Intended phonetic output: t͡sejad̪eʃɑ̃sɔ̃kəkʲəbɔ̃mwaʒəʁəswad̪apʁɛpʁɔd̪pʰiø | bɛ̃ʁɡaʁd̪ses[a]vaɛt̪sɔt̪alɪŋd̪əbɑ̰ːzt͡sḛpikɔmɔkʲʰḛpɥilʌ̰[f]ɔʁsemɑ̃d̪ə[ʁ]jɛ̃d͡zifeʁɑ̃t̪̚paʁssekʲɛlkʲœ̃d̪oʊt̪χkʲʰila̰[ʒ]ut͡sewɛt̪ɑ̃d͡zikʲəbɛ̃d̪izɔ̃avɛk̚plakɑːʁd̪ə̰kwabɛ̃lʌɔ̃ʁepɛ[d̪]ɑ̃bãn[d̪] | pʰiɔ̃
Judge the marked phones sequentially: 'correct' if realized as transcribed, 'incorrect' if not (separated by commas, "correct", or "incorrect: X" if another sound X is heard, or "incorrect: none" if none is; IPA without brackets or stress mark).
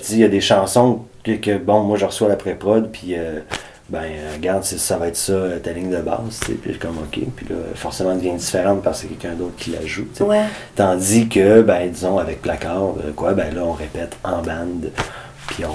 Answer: correct, correct, incorrect: v, correct, incorrect: t̪, correct